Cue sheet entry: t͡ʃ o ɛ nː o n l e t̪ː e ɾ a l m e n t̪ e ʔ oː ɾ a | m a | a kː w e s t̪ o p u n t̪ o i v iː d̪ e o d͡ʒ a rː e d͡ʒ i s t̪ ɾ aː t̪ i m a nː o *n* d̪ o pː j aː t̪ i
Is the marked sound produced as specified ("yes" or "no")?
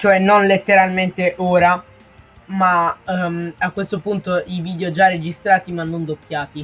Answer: yes